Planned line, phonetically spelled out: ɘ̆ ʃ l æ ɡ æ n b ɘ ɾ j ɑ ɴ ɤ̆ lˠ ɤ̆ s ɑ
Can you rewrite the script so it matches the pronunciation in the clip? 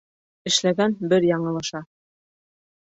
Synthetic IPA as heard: ɘ̆ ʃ l æ ɡ æ n b ɘ ɾ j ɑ ɴ ɤ̆ lˠ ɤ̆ ʃ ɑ